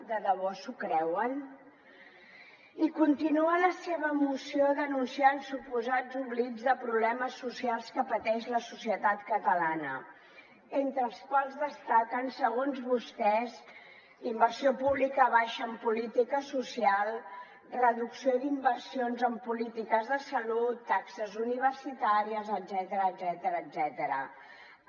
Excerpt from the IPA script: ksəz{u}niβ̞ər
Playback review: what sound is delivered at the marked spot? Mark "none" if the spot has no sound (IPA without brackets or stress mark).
u